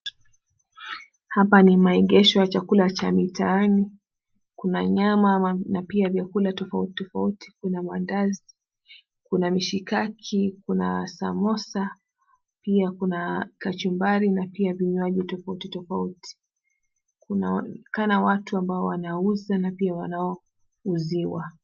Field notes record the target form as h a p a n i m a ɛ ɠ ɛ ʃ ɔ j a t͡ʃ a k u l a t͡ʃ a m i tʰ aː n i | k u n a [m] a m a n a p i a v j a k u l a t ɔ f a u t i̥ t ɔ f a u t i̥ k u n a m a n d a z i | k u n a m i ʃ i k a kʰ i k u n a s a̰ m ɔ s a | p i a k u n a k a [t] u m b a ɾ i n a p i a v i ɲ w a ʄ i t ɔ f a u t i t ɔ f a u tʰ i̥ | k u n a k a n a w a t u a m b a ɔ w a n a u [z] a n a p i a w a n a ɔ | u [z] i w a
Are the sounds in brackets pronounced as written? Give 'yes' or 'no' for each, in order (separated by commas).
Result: no, no, yes, yes